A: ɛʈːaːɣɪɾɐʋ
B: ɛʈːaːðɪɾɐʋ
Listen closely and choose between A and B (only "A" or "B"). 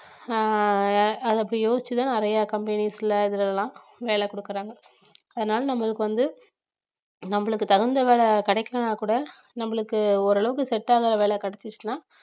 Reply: A